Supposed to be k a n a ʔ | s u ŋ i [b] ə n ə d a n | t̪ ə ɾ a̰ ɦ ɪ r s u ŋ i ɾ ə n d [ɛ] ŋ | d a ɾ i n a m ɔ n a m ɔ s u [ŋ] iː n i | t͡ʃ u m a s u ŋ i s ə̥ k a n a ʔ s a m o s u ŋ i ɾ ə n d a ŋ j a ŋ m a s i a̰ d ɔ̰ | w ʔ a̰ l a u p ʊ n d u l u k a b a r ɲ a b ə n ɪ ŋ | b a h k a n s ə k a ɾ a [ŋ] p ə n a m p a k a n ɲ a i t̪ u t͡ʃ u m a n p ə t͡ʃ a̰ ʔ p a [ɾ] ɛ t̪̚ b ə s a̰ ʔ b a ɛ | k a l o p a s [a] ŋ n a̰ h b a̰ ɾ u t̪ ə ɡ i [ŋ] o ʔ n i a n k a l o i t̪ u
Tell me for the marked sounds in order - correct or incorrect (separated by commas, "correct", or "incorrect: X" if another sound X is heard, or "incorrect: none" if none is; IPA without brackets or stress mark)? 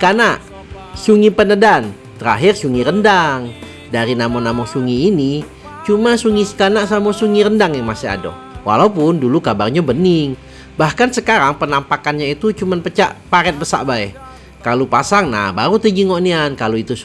incorrect: p, incorrect: a, correct, correct, correct, correct, correct